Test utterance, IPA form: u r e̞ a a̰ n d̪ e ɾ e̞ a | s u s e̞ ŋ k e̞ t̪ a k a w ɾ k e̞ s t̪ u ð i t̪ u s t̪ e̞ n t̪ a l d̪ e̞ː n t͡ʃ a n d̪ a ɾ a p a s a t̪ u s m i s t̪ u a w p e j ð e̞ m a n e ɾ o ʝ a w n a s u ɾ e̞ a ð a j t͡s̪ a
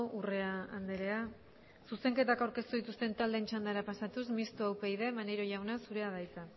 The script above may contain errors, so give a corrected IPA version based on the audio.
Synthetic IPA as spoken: u r e̞ a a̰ n d̪ e ɾ e̞ a | s u s e̞ ŋ k e̞ t̪ a k a w ɾ k e̞ s t̪ u ð i t̪ u s t̪ e̞ n t̪ a l d̪ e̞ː n t͡ʃ a n d̪ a ɾ a p a s a t̪ u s m i s t̪ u a w p e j ð e̞ m a n e ɾ o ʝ a w n a s u ɾ e̞ a ð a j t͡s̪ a